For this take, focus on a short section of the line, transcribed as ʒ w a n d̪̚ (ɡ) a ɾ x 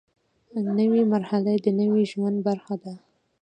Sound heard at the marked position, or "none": b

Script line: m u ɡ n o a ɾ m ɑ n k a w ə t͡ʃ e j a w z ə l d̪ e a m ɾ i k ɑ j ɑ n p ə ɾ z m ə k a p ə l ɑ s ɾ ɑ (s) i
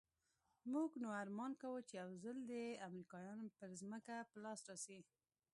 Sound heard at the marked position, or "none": s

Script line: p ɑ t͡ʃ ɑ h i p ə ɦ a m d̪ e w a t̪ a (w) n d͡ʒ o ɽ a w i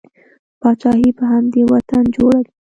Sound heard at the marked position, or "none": none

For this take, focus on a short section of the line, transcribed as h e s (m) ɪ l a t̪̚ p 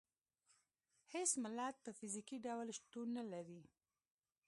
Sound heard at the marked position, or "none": m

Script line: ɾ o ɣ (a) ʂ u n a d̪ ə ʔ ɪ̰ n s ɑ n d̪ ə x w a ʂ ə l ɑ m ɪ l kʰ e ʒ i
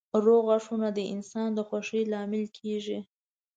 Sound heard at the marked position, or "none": a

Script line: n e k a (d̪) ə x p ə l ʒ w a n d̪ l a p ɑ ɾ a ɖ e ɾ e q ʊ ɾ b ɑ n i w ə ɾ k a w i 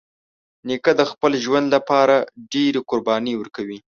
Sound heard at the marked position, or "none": d̪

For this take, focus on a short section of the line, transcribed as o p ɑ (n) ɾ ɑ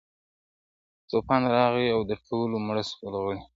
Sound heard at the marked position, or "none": n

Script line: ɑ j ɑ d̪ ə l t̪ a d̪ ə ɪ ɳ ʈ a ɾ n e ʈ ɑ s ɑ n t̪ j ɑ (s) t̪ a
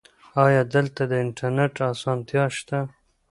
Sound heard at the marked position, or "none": ʃ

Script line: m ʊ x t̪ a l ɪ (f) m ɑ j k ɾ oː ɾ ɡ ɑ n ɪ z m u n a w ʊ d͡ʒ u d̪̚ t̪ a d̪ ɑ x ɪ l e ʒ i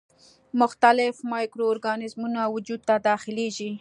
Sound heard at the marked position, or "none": f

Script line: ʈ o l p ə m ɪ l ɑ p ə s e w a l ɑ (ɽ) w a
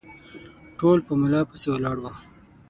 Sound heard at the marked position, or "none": ɽ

